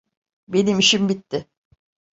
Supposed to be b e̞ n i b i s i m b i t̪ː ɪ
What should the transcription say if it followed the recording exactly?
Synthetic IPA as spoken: b e̞ n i m i ʃ i m b i t̪ː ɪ